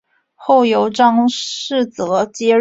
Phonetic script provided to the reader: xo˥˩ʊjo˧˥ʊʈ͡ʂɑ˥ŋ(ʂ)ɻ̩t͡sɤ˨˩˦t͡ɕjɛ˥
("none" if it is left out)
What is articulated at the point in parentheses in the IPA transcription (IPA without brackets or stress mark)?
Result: ʂ